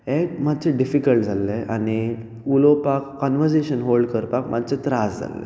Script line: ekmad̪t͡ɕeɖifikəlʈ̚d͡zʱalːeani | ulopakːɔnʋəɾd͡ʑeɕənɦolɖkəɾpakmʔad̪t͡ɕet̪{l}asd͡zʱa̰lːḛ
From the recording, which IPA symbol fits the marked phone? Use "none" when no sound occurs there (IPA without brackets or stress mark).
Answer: ɾ